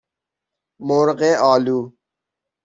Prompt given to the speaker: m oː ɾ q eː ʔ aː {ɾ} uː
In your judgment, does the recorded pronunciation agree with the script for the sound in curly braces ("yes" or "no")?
no